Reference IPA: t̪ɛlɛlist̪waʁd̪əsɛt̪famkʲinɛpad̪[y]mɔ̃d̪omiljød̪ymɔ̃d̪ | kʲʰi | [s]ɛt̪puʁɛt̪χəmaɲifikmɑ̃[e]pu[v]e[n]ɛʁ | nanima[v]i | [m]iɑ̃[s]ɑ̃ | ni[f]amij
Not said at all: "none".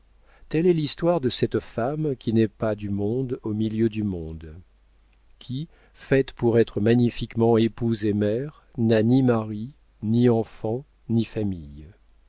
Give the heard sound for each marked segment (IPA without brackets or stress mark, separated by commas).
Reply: y, f, e, z, m, ʁ, n, f, f